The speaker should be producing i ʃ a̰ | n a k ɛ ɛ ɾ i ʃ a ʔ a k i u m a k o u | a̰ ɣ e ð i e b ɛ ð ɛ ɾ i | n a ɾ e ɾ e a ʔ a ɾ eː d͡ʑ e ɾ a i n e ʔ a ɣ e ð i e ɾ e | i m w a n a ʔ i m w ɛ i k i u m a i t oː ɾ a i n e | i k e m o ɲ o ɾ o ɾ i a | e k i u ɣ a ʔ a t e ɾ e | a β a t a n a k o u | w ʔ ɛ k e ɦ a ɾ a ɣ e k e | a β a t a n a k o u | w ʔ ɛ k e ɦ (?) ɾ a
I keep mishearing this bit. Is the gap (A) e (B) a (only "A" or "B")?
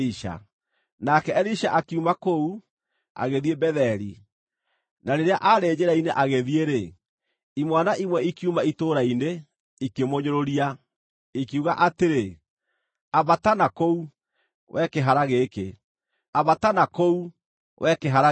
B